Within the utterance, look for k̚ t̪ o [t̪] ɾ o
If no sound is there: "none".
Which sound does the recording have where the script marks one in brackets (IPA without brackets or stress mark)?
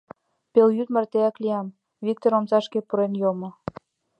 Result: none